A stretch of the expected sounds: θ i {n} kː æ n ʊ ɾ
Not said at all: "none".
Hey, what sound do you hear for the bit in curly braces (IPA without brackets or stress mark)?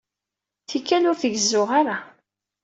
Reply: none